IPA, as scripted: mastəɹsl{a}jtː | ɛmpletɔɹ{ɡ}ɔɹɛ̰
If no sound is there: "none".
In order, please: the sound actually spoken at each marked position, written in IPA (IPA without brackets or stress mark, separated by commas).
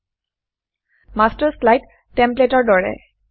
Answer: a, d